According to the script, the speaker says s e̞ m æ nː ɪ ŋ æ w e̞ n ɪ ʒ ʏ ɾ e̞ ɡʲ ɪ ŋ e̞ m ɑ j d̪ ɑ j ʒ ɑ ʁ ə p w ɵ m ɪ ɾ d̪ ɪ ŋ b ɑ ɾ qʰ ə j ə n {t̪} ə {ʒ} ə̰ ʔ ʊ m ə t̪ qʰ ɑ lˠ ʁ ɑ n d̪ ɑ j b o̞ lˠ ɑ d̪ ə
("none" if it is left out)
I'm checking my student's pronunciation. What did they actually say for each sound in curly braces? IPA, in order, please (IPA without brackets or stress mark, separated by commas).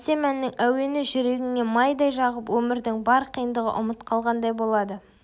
d̪, ʁ